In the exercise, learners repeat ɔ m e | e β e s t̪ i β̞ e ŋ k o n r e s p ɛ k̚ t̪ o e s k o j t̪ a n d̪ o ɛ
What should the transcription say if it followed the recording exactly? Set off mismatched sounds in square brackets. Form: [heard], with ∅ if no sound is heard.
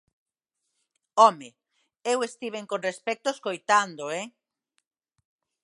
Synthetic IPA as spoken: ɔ m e | e [w] e s t̪ i β̞ e ŋ k o n r e s p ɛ k̚ t̪ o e s k o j t̪ a n d̪ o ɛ